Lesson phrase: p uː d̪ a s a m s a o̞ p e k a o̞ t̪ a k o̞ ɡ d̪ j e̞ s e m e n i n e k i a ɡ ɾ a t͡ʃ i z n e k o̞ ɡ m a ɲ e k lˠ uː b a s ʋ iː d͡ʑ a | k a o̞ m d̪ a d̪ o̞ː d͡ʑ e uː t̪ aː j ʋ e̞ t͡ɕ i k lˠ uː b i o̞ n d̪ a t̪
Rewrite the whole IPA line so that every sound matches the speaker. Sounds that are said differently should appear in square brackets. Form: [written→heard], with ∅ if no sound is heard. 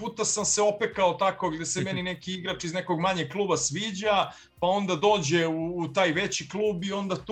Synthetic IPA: p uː [d̪→t̪] a s a m s [a→e] o̞ p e k a o̞ t̪ a k o̞ ɡ d̪ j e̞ s e m e n i n e k i [a→i] ɡ ɾ a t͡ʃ i z n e k o̞ ɡ m a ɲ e k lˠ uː b a s ʋ iː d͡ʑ a | [k→p] a o̞ [m→n] d̪ a d̪ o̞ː d͡ʑ e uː t̪ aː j ʋ e̞ t͡ɕ i k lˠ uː b i o̞ n d̪ a t̪